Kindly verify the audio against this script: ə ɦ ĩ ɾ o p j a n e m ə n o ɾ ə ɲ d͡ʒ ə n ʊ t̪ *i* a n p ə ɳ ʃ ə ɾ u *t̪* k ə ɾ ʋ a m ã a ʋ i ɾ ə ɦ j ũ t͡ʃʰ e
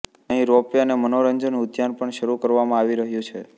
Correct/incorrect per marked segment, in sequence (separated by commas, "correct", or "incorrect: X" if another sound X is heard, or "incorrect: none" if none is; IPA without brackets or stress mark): incorrect: j, incorrect: none